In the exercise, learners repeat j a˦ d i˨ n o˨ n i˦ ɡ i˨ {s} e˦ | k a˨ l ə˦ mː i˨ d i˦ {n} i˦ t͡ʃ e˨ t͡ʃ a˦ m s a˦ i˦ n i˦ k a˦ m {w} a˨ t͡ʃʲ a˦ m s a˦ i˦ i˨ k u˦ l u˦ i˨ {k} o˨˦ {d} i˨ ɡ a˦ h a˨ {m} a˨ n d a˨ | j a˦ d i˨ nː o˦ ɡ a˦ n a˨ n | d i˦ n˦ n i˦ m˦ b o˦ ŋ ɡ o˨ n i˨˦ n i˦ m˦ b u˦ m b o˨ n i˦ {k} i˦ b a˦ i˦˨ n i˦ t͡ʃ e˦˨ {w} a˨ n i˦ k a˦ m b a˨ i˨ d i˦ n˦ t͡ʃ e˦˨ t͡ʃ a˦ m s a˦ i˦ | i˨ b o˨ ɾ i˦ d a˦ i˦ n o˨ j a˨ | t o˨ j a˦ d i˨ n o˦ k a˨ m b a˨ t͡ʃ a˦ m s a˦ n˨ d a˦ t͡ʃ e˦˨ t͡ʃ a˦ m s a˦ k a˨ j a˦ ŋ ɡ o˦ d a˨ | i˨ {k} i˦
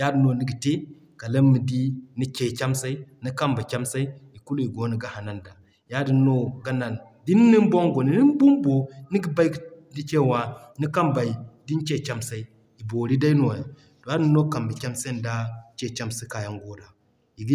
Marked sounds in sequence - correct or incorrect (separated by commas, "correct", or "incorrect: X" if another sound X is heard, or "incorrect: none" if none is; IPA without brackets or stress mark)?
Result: incorrect: t, correct, incorrect: b, incorrect: ɡ, incorrect: n, incorrect: n, incorrect: ɡ, correct, incorrect: ɡ